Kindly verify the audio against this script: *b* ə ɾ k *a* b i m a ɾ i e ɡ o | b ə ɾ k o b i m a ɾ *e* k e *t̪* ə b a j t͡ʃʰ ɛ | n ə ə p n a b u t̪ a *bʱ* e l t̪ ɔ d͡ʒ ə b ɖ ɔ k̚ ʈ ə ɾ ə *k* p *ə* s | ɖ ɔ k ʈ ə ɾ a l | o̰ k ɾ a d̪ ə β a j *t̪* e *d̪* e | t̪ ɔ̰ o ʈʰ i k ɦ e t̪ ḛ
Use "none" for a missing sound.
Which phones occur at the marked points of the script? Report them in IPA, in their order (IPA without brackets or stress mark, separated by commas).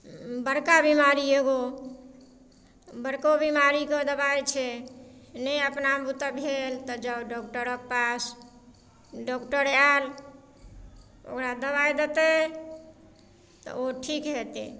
b, a, i, d̪, bʱ, k, a, d̪, t̪